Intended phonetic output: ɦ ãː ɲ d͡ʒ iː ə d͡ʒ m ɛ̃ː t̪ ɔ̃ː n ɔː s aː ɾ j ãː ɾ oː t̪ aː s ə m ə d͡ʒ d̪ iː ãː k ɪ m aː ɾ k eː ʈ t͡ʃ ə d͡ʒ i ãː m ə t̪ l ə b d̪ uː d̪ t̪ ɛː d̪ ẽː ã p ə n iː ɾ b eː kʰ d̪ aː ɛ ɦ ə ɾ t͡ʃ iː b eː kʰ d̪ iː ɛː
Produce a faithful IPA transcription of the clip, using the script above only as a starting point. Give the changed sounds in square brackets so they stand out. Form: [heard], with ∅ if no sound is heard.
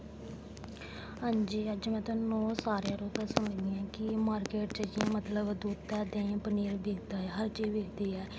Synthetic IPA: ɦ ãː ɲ d͡ʒ iː ə d͡ʒ m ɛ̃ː t̪ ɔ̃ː n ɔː s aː ɾ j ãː ɾ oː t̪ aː s ə m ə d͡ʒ d̪ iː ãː k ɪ m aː ɾ k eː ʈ t͡ʃ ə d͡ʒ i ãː m ə t̪ l ə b d̪ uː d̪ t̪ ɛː d̪ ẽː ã p ə n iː ɾ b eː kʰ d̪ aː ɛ ɦ ə ɾ t͡ʃ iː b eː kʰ d̪ iː ɛː